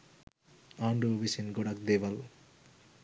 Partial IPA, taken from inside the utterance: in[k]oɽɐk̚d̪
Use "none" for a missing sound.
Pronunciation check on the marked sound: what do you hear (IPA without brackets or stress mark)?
ɡ